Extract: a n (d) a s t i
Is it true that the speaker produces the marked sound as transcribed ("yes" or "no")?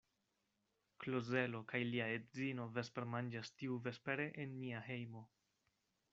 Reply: no